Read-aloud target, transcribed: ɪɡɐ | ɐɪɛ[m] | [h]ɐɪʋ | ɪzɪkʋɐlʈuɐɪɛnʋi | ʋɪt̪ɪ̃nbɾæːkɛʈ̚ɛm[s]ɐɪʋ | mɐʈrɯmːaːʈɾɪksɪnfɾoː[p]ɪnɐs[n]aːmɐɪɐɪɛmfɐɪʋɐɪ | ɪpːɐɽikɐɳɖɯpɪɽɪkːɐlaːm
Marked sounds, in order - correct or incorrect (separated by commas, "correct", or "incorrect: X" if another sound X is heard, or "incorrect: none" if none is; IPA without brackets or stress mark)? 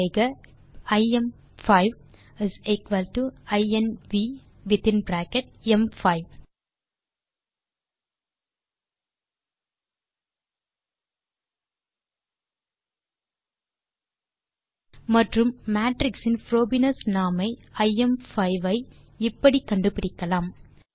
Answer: correct, incorrect: f, incorrect: f, incorrect: b, correct